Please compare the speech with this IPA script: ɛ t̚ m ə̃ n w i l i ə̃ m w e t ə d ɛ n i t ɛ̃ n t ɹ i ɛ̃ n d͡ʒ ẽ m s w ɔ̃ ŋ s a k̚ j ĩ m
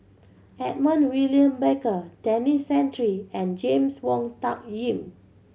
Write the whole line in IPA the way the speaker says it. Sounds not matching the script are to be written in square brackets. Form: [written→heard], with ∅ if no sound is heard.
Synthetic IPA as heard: ɛ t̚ m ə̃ n w i l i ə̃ m [w→b] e [t→k] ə d ɛ n i [t→s] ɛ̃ n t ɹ i ɛ̃ n d͡ʒ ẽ m s w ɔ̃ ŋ [s→t] a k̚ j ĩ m